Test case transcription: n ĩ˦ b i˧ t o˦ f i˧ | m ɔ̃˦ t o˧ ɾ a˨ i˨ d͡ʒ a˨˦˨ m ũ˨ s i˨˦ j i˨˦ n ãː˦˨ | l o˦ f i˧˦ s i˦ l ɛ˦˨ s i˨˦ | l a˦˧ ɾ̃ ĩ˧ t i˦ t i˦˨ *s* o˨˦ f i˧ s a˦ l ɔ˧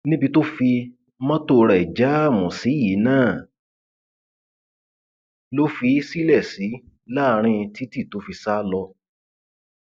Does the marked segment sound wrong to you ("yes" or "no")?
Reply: yes